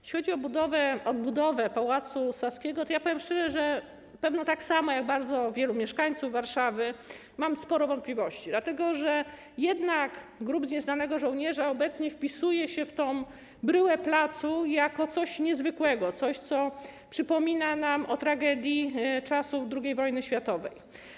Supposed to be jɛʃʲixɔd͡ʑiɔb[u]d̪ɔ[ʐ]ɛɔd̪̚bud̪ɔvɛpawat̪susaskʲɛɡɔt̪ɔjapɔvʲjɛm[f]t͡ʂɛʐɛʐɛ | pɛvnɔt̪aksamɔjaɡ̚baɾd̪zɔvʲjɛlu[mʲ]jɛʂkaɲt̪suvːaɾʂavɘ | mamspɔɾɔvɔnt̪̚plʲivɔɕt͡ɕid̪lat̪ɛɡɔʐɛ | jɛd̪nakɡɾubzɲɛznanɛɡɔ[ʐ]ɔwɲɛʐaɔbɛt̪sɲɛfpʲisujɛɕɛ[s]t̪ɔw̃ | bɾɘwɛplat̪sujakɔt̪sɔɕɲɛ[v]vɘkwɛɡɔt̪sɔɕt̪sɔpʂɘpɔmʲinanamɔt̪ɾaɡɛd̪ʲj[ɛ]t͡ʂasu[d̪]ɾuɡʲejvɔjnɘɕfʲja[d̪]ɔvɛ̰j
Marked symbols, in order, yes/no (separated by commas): yes, no, no, yes, yes, no, no, no, yes, no